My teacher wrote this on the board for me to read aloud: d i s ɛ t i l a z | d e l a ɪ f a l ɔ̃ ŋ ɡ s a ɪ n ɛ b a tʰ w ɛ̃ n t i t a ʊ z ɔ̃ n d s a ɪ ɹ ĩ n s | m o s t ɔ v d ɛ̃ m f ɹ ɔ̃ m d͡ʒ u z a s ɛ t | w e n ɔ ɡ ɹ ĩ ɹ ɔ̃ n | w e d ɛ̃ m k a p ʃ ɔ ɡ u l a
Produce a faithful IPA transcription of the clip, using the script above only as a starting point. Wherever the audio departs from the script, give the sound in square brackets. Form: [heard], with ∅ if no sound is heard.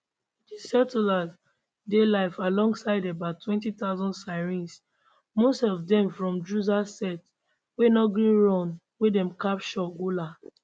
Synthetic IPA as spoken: d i s ɛ t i l a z | d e l a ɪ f a l ɔ̃ ŋ ɡ s a ɪ [d] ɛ b a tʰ w ɛ̃ n t i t a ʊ z ɔ̃ n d s a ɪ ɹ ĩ n s | m o s t ɔ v d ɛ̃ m f ɹ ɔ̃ m d͡ʒ u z a s ɛ t | w e n ɔ ɡ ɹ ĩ ɹ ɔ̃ n | w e d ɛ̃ m k a p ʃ ɔ ɡ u l a